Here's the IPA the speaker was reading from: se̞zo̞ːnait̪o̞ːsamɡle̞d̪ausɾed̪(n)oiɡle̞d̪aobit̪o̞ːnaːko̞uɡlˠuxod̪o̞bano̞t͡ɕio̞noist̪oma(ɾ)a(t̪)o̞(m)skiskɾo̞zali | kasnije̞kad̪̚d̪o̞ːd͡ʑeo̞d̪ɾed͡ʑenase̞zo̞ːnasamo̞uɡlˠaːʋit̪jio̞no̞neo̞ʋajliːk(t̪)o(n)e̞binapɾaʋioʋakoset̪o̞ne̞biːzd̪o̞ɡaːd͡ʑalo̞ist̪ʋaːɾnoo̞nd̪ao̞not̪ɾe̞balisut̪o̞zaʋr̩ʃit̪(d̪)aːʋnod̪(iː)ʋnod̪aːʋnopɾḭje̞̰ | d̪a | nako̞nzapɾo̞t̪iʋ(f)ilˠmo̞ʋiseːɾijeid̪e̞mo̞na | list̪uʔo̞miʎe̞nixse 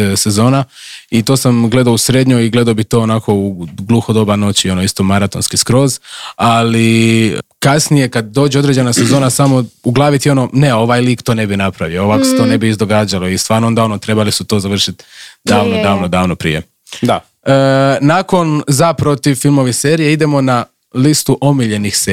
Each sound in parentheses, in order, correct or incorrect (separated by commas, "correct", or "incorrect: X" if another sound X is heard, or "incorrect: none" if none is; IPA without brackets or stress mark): incorrect: ɲ, correct, correct, incorrect: n, correct, correct, correct, incorrect: aː, correct